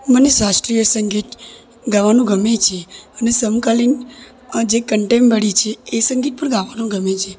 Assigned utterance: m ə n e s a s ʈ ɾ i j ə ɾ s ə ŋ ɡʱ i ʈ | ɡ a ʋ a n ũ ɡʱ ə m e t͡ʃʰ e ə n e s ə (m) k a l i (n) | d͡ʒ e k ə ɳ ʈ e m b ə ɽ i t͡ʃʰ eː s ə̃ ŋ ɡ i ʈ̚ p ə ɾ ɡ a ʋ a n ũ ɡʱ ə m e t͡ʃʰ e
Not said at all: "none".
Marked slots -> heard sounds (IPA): m, n

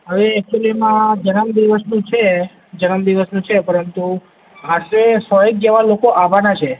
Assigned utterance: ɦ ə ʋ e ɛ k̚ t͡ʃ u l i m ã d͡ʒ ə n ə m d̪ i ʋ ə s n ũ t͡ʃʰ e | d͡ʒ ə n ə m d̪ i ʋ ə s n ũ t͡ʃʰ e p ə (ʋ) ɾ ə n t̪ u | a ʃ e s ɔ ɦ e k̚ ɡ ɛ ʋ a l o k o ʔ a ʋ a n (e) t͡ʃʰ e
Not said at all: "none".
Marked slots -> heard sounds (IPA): none, a

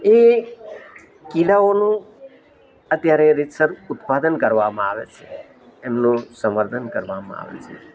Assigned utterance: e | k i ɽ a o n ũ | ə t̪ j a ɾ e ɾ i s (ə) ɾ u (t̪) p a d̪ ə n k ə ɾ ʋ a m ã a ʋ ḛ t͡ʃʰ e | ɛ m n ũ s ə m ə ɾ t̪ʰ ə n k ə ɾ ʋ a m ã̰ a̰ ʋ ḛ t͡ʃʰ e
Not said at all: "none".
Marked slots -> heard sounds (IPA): ə, t̪

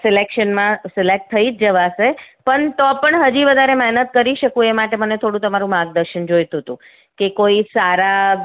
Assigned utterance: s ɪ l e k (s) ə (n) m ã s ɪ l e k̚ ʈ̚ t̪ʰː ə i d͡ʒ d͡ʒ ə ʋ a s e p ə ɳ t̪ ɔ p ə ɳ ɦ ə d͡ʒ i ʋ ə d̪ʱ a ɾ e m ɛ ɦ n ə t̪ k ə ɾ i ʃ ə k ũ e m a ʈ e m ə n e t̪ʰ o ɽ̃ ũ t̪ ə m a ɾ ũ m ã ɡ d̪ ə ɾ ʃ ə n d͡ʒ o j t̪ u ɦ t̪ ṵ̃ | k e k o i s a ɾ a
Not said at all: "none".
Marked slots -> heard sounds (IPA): ʃ, n

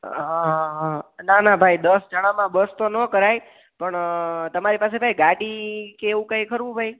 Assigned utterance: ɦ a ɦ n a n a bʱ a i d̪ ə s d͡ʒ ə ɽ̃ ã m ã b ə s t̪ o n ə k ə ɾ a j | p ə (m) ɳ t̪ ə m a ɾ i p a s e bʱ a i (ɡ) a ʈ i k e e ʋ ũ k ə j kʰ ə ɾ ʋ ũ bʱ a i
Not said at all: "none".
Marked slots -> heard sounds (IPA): none, ɡ

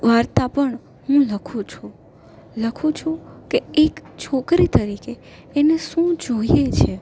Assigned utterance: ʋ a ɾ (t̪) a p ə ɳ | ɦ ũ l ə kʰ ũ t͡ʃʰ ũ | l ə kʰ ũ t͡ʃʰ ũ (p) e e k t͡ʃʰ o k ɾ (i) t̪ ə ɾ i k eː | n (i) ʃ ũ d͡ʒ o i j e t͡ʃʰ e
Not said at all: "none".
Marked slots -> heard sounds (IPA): t̪, k, i, e

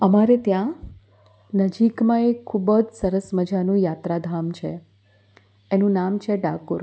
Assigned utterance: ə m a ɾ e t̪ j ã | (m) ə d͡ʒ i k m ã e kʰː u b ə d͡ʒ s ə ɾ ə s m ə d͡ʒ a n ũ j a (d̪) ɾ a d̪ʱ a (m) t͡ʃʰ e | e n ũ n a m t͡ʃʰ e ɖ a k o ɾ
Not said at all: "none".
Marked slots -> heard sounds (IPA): n, t̪, m

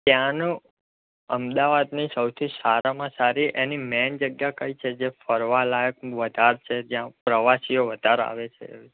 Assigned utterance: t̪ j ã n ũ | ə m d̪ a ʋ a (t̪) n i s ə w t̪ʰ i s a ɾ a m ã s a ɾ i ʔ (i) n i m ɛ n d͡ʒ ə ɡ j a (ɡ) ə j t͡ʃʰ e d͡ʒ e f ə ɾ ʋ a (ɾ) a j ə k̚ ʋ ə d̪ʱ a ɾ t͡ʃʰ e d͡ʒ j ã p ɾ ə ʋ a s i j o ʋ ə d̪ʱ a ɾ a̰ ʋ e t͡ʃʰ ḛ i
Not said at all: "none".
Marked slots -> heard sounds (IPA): d̪, e, k, l

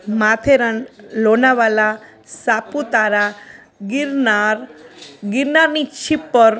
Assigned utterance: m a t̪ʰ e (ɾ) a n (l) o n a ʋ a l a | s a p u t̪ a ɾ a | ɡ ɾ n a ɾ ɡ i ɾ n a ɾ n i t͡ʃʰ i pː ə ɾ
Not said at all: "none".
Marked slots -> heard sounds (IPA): ɾ, l

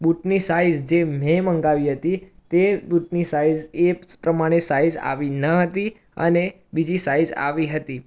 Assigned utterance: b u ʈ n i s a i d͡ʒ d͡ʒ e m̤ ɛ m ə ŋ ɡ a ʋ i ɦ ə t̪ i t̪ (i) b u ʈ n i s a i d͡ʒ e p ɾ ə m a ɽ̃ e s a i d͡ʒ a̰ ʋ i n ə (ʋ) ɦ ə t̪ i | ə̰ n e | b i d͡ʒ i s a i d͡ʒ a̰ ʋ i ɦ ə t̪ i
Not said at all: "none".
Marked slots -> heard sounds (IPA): e, none

